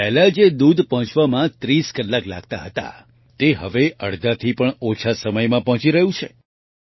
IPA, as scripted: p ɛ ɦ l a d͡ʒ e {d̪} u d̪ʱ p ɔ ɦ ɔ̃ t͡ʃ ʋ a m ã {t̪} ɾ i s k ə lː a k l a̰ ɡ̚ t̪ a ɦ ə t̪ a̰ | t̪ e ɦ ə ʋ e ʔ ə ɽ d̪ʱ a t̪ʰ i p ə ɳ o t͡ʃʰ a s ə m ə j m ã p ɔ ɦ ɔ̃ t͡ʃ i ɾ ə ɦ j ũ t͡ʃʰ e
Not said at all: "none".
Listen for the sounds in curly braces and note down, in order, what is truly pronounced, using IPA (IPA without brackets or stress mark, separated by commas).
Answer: d̪, t̪